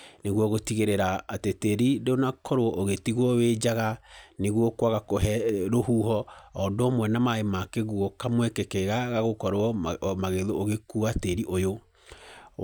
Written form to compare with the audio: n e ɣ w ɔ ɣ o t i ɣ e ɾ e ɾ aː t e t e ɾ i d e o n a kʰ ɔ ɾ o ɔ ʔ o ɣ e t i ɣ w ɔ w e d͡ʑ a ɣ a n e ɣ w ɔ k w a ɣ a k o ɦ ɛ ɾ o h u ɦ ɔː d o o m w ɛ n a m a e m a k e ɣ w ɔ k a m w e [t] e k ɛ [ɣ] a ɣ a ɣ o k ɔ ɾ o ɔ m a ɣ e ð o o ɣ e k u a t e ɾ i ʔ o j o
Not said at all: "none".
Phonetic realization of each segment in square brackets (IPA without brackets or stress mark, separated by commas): k, ɣ